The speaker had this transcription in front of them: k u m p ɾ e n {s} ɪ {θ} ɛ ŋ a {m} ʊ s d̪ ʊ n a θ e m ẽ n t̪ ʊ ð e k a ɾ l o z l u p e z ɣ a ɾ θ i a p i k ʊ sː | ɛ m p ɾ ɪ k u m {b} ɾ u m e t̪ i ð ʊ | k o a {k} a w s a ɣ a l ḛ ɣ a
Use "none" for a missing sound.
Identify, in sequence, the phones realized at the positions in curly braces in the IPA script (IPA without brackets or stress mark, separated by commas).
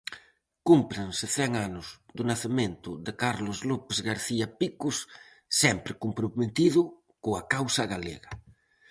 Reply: s, θ, n, p, k